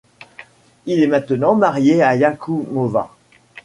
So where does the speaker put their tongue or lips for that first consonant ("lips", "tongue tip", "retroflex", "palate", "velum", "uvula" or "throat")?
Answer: tongue tip